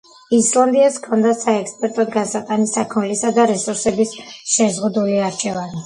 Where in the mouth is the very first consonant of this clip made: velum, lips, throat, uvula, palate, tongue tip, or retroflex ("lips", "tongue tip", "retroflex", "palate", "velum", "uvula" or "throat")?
tongue tip